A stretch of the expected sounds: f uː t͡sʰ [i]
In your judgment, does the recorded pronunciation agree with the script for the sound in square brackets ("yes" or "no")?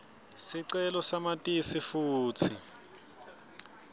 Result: yes